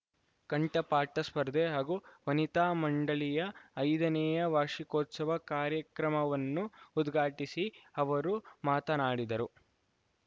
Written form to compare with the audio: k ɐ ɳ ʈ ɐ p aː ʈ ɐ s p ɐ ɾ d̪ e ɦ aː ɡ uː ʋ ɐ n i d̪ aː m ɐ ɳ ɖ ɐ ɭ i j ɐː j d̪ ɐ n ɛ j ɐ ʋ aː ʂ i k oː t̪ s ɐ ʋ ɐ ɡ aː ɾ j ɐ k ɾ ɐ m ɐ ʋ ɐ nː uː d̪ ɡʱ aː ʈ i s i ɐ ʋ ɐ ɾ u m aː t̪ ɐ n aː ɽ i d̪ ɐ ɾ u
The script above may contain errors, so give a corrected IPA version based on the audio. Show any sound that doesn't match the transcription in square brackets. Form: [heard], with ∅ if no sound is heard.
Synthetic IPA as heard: k ɐ ɳ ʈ ɐ p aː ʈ ɐ s p ɐ ɾ d̪ e ɦ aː ɡ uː ʋ ɐ n i [t̪] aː m ɐ ɳ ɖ ɐ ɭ i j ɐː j d̪ ɐ n ɛ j ɐ ʋ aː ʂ i k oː t̪ s ɐ ʋ ɐ [k] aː ɾ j ɐ k ɾ ɐ m ɐ ʋ ɐ nː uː d̪ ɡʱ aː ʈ i s i ɐ ʋ ɐ ɾ u m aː t̪ ɐ n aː ɽ i d̪ ɐ ɾ u